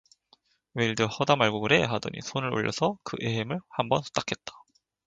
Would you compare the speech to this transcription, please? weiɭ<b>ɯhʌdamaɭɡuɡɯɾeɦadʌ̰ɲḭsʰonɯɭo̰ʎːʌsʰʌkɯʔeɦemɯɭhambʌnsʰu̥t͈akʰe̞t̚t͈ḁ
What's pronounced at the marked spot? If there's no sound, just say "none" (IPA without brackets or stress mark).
d